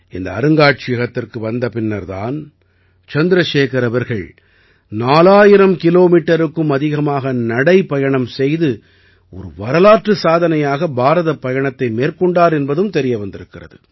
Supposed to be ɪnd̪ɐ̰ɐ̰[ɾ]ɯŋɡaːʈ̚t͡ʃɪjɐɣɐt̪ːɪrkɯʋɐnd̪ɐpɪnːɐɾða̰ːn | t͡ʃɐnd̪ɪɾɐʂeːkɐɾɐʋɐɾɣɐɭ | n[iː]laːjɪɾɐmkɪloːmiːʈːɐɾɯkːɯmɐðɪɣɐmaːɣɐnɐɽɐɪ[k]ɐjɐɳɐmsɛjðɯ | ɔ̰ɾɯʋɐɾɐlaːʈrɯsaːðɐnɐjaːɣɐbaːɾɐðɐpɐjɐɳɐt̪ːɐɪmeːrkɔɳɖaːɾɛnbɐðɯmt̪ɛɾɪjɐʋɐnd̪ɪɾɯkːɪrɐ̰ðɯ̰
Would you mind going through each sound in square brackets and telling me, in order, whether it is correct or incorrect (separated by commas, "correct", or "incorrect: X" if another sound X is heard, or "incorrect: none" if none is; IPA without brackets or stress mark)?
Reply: correct, incorrect: aː, incorrect: p